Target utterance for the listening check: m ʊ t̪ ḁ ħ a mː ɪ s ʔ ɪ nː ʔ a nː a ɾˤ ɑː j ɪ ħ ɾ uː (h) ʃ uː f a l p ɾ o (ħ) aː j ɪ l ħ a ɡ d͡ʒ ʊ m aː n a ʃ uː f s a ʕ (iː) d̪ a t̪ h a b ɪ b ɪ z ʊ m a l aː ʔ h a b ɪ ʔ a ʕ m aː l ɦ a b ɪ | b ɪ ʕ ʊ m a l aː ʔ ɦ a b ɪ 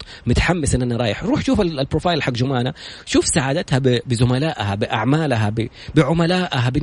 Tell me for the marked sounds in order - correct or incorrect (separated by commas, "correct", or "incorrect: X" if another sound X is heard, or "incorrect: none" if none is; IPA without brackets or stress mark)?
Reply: incorrect: ħ, incorrect: f, incorrect: aː